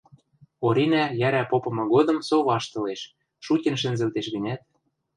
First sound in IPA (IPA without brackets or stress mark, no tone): o